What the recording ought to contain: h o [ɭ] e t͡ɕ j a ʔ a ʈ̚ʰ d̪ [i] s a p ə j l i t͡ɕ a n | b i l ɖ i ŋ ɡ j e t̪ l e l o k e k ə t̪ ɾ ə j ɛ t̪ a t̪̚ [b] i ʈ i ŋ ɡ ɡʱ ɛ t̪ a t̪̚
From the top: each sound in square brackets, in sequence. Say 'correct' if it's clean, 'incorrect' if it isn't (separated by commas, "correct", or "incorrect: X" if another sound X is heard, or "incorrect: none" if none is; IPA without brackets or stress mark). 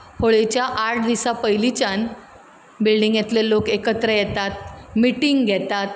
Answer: correct, correct, incorrect: m